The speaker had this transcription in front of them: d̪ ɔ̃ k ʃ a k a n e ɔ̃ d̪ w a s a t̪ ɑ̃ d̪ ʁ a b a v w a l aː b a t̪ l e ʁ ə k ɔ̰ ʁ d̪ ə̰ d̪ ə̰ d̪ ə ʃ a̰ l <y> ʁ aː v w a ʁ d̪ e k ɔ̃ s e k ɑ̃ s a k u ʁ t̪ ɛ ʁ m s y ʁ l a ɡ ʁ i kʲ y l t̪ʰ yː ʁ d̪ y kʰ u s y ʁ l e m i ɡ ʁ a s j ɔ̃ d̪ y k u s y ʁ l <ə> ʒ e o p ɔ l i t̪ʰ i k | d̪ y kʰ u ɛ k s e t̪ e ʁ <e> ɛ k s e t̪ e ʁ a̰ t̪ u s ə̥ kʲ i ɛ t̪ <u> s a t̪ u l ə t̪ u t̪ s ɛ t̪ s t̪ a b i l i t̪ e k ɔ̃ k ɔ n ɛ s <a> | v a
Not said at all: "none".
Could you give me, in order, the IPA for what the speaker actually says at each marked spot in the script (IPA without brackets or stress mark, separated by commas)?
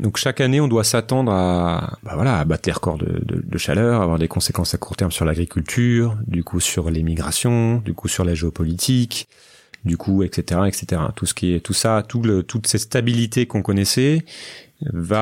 œ, a, a, u, ɛ